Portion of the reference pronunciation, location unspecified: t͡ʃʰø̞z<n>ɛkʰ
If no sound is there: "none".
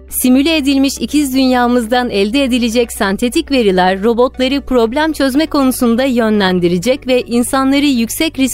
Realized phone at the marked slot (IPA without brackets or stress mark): m